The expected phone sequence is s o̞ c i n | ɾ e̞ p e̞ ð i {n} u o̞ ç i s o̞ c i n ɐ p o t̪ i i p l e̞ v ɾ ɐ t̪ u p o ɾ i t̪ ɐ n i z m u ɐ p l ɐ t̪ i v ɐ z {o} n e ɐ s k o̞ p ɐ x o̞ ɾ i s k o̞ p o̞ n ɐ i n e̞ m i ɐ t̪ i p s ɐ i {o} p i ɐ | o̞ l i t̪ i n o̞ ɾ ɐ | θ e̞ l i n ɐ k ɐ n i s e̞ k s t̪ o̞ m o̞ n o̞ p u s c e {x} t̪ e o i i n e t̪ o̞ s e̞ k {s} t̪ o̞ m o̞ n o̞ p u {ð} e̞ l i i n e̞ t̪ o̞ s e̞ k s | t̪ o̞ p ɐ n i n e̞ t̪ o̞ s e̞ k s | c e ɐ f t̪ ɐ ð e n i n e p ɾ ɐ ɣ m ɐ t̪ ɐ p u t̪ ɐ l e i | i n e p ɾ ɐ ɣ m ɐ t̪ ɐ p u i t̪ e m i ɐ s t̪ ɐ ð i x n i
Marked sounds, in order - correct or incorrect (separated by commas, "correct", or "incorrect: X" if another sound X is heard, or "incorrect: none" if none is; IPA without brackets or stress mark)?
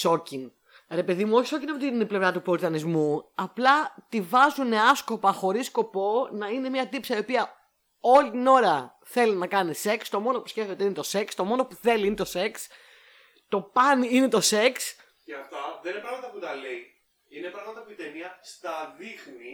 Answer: incorrect: m, incorrect: u, correct, incorrect: f, correct, incorrect: θ